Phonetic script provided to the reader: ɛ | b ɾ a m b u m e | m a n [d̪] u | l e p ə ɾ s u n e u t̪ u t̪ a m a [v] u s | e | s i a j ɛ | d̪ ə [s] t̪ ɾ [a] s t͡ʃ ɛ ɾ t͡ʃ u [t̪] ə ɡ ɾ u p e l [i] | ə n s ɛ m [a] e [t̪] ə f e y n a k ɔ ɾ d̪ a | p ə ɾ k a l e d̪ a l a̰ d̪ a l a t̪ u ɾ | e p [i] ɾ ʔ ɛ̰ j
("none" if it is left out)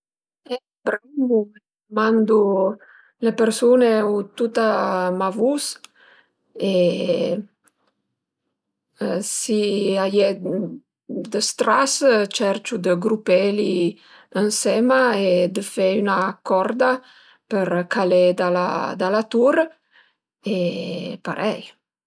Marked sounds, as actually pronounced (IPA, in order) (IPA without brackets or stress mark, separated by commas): d̪, v, s, a, d̪, i, a, d̪, a